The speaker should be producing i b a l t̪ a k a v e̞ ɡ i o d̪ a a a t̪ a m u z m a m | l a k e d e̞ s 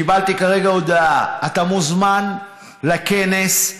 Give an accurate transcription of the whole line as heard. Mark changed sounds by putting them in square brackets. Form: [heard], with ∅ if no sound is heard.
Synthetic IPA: i b a l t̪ [i] k a [ʁ] e̞ ɡ [a] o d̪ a a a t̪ a m u z m a [n] | l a k e [n] e̞ s